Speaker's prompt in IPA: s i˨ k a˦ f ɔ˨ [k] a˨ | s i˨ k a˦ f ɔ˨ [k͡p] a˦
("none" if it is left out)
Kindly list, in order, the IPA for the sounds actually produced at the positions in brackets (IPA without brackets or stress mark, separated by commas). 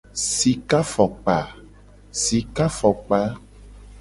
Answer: k͡p, k͡p